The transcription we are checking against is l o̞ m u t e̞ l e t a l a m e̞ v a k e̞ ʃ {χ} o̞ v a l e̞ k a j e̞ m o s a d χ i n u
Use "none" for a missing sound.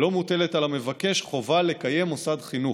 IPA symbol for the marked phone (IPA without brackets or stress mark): χ